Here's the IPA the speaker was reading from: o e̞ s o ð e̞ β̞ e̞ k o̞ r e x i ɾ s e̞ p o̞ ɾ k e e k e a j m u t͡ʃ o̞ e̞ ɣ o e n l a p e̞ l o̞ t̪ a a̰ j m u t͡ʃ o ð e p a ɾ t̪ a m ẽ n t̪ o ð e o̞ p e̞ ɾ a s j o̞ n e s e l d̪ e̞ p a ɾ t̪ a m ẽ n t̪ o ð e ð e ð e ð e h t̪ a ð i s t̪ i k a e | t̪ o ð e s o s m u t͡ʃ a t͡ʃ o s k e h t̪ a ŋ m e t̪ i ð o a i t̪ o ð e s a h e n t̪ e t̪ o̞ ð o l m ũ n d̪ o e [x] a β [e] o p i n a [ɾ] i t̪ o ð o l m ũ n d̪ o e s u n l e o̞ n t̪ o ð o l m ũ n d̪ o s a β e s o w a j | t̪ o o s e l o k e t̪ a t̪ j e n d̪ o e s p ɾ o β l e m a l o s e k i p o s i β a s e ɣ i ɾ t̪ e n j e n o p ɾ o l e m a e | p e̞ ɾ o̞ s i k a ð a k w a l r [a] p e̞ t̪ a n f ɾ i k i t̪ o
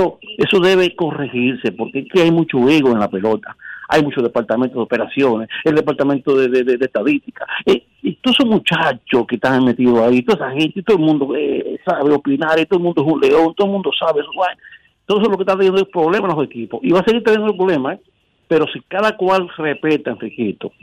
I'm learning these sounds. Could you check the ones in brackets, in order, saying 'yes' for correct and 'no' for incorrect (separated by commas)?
no, yes, yes, no